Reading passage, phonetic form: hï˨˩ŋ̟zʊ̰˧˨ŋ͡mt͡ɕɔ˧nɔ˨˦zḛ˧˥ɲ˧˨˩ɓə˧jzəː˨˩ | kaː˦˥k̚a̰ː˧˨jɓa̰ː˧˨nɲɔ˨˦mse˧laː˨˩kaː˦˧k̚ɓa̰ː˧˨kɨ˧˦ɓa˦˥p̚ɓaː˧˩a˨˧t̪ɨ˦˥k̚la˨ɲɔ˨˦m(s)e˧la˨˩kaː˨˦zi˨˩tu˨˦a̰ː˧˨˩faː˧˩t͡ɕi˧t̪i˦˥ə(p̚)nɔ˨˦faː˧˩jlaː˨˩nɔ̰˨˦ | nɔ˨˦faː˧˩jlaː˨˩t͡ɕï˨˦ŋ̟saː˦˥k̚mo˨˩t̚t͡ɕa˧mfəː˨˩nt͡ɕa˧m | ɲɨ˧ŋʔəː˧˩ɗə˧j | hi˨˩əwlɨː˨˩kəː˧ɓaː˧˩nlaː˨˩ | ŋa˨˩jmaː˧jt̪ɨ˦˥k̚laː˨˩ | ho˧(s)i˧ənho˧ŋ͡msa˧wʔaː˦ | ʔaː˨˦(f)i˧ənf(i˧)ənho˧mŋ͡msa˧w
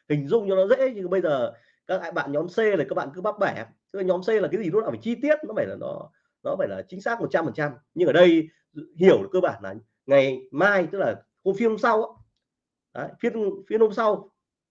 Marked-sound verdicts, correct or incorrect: correct, incorrect: t̚, incorrect: f, correct, correct

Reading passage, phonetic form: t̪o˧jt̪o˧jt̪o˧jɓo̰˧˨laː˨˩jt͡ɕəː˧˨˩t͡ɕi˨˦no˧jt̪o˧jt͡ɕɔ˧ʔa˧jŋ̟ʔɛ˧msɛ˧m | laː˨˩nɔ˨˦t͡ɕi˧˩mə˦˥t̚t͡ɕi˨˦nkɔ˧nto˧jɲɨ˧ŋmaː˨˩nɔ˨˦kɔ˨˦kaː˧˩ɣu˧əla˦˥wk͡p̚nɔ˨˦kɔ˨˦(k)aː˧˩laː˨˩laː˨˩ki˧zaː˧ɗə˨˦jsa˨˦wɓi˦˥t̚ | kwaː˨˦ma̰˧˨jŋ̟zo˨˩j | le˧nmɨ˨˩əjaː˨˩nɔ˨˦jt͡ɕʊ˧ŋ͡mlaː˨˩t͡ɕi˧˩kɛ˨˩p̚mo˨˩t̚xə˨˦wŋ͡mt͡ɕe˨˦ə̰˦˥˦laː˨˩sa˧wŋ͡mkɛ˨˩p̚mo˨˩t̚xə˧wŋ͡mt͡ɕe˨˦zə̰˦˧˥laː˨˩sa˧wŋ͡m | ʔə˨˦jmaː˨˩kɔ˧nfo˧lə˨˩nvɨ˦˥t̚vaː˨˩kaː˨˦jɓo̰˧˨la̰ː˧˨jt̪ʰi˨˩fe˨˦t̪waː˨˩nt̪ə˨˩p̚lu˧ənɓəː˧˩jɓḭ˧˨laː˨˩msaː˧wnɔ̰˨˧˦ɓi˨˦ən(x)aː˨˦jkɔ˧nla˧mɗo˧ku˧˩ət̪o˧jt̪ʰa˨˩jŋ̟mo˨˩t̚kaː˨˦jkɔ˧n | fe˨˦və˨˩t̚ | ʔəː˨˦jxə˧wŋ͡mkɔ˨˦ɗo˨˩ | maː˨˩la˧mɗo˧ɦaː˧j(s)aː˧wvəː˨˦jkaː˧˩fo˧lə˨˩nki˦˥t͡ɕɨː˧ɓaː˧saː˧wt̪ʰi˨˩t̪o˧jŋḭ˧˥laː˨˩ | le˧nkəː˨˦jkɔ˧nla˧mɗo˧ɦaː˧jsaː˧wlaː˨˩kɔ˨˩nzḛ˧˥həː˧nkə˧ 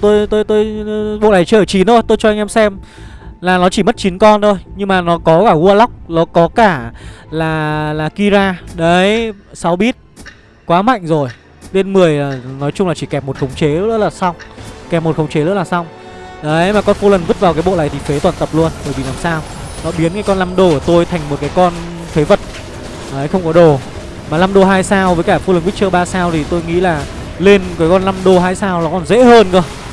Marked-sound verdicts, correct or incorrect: correct, incorrect: k, correct

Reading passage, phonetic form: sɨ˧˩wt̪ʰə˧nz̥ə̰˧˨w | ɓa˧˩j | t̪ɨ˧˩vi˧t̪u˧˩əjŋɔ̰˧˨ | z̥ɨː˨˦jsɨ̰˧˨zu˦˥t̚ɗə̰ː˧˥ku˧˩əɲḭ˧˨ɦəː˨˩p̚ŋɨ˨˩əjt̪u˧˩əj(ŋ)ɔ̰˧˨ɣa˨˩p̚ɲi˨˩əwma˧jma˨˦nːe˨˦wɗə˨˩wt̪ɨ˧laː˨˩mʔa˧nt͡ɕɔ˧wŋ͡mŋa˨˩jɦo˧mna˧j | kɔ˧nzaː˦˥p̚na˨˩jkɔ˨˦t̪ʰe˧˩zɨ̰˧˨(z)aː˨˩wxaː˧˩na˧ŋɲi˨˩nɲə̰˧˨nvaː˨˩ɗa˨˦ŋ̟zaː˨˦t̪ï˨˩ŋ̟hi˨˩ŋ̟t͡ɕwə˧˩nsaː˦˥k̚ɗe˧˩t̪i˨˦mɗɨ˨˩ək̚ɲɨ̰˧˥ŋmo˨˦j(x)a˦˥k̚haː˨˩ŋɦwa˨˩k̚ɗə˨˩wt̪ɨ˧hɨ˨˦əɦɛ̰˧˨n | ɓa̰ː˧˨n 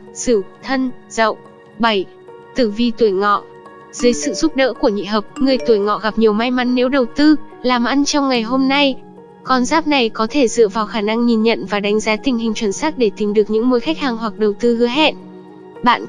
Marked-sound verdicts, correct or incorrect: correct, incorrect: v, correct

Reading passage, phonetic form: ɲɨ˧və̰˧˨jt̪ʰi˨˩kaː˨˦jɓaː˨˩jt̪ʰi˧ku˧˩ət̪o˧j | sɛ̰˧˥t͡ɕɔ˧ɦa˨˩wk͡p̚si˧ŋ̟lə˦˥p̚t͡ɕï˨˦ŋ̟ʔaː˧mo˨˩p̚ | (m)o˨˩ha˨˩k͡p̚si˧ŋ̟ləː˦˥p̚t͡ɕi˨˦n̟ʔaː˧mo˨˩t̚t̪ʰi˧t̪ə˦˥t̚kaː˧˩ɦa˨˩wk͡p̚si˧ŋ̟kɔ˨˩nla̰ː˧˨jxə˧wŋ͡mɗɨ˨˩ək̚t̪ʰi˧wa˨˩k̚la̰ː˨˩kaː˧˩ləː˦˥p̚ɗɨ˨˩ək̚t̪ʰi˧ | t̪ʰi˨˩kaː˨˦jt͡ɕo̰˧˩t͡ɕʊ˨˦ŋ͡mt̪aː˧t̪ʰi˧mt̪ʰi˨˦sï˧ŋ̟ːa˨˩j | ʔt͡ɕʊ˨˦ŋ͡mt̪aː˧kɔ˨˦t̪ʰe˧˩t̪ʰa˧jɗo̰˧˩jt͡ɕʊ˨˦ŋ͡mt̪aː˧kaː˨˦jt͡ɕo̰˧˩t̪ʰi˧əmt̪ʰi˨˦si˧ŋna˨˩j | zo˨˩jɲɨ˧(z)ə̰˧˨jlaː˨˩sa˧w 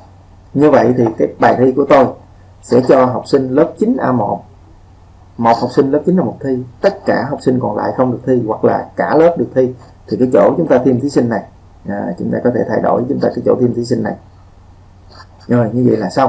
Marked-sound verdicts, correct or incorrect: correct, incorrect: v

